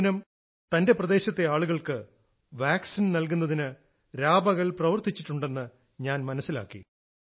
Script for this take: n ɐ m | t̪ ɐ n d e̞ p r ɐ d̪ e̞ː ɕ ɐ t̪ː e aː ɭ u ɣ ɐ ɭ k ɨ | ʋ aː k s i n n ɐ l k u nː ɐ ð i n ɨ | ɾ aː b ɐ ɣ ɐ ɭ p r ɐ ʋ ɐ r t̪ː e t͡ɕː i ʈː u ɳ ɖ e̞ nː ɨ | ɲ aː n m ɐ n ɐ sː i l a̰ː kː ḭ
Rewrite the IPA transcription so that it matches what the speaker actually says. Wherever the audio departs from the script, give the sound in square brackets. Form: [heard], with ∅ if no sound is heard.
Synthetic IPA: n ɐ m | t̪ ɐ n d e̞ p r ɐ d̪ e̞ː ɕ ɐ t̪ː e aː ɭ u ɣ ɐ ɭ k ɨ | ʋ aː k s i n n ɐ l k u nː ɐ ð i n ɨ | ɾ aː b ɐ ɣ ɐ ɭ p r ɐ ʋ ɐ r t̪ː [i] t͡ɕː i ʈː u ɳ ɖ e̞ nː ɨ | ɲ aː n m ɐ n ɐ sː i l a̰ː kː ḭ